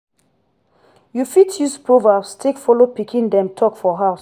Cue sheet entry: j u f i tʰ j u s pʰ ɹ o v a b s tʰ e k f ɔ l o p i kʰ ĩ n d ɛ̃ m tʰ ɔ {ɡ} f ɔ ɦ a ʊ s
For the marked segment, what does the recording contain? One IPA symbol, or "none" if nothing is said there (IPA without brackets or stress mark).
k